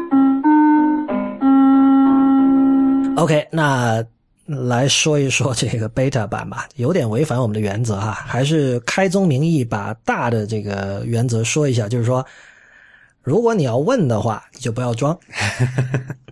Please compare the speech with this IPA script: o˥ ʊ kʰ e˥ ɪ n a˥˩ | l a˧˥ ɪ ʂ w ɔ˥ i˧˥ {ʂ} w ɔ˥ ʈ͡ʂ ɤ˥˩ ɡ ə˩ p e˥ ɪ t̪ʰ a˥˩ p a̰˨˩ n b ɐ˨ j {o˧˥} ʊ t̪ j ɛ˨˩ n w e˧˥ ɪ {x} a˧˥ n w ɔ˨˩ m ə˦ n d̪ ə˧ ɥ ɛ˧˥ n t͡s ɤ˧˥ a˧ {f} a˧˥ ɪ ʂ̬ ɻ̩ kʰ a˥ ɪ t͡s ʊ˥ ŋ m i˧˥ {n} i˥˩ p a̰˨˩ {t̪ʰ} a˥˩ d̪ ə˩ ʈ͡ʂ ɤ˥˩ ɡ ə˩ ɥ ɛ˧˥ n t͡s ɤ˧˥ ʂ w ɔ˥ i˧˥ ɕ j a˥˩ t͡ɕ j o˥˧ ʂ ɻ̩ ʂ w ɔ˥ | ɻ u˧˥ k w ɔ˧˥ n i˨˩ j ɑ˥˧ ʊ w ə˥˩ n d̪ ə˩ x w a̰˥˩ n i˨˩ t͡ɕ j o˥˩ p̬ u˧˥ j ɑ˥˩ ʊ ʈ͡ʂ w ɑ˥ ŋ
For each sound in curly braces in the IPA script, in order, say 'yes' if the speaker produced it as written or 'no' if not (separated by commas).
yes, yes, no, no, no, no